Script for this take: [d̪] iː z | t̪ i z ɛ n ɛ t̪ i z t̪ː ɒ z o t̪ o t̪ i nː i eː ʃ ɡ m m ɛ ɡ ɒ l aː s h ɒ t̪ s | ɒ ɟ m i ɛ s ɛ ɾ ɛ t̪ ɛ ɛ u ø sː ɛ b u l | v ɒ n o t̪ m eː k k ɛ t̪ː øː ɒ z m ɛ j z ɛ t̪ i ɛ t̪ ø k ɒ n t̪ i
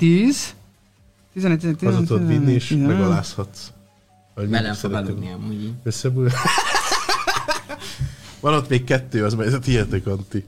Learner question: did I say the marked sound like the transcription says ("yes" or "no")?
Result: no